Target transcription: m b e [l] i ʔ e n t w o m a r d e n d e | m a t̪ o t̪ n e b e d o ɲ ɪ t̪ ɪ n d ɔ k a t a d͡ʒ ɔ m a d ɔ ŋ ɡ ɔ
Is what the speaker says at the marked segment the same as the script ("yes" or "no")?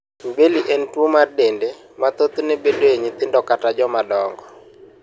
yes